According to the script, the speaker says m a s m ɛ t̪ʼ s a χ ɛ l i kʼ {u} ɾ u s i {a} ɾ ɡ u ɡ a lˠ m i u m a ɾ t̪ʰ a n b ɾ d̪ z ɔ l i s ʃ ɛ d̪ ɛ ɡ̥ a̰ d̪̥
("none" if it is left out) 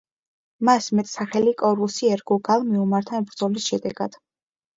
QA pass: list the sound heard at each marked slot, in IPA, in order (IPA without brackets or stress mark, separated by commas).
ɔ, ɛ